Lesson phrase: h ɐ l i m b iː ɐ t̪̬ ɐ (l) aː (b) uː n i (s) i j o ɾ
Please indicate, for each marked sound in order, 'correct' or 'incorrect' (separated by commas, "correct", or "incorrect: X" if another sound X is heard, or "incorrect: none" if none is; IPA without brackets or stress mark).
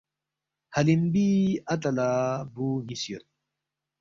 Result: correct, correct, correct